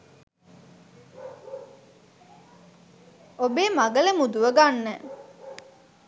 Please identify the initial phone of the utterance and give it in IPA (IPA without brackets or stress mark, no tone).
o